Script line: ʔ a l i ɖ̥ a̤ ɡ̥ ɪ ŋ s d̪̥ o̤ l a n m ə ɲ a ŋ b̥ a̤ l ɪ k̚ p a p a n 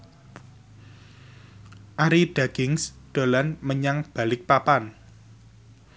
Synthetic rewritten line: ʔ a ɾ i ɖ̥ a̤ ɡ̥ ɪ ŋ s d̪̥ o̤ l a n m ə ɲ a ŋ b̥ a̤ l ɪ k̚ p a p a n